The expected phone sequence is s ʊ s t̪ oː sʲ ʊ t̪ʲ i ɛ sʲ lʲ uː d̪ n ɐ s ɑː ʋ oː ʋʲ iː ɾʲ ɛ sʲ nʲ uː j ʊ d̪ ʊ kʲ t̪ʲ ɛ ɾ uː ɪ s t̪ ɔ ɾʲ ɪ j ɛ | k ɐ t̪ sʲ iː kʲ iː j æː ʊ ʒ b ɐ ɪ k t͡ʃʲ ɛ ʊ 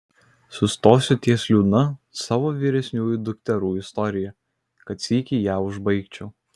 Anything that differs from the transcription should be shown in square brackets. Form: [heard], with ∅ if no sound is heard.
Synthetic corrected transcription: s ʊ s t̪ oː sʲ ʊ t̪ʲ i ɛ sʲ lʲ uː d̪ n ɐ s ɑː ʋ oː ʋʲ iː ɾʲ ɛ sʲ nʲ uː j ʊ d̪ ʊ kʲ t̪ʲ ɛ ɾ uː ɪ s t̪ ɔ ɾʲ ɪ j ɛ | k ɐ t̪ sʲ iː kʲ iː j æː ʊ ʒ b ɐ ɪ k t͡ʃʲ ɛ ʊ